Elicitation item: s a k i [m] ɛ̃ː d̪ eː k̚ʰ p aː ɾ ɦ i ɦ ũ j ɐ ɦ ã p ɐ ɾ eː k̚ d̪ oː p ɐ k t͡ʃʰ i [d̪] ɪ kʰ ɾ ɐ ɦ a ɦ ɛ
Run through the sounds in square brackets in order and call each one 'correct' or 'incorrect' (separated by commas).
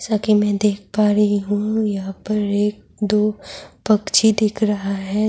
correct, correct